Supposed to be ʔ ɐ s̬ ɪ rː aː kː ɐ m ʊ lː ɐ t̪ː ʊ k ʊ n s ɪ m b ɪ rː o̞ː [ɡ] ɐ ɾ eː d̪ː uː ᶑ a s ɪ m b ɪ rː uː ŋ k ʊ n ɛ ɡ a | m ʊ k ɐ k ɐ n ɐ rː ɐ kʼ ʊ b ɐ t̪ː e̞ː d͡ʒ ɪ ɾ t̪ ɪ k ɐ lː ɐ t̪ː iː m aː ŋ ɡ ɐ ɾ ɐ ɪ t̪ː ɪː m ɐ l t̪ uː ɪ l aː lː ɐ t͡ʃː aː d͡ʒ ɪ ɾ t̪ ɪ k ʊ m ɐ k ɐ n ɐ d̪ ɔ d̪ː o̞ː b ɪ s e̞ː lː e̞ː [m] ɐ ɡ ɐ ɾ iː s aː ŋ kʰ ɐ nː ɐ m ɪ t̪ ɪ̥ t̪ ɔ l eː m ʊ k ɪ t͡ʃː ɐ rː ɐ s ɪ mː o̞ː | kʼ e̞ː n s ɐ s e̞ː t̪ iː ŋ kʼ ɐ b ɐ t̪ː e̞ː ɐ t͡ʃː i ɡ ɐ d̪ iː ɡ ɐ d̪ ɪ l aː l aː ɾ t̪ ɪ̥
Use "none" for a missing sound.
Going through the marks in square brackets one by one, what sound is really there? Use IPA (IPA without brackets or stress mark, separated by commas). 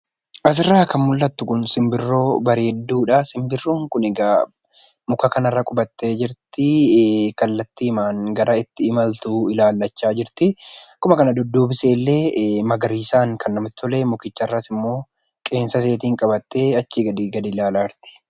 b, m